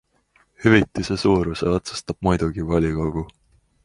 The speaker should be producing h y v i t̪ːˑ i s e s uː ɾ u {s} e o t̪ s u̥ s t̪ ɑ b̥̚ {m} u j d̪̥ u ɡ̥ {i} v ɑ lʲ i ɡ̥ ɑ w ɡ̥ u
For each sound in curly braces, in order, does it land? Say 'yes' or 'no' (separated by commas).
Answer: yes, yes, yes